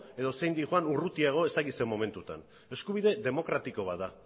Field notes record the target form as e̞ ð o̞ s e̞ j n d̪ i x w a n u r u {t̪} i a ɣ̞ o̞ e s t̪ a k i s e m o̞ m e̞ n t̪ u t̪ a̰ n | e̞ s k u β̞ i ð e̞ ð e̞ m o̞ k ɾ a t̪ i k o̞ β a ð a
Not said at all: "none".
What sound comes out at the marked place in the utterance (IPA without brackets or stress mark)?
t̪